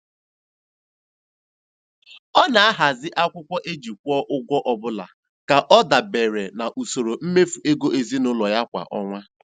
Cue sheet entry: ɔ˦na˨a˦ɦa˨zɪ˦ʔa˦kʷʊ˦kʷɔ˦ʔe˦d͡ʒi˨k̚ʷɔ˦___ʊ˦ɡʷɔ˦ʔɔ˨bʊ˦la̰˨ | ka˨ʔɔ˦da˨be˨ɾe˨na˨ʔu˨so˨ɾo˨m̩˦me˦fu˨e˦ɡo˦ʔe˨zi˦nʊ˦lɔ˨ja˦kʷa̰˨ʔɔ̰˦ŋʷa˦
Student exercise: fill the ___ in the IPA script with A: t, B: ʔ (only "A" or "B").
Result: B